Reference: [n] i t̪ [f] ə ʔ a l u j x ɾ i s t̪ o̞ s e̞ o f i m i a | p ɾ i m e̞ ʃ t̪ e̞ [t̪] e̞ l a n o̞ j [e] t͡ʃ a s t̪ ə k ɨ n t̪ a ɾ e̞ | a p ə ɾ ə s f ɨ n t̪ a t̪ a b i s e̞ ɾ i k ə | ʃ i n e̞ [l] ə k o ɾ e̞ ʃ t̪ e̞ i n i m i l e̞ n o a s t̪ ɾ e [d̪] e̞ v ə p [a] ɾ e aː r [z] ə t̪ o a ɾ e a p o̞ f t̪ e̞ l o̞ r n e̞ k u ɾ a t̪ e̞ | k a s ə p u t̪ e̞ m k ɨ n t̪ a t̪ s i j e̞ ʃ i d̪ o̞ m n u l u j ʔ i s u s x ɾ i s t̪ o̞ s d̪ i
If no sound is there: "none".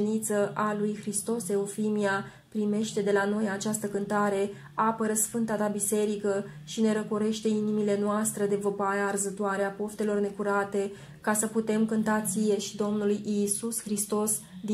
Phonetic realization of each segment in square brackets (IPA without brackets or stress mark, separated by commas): n, s, d̪, a, ɾ, d̪, a, z